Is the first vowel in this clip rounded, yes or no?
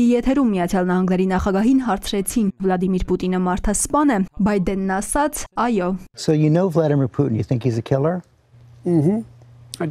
no